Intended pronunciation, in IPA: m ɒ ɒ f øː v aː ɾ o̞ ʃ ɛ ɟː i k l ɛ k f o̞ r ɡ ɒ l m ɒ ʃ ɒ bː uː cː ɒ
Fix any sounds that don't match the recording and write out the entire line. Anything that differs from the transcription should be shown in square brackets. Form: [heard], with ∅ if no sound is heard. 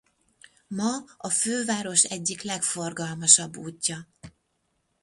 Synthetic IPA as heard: m ɒ ɒ f øː v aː ɾ o̞ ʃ ɛ ɟː i k l ɛ k f o̞ r ɡ ɒ l m ɒ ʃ ɒ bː uː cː ɒ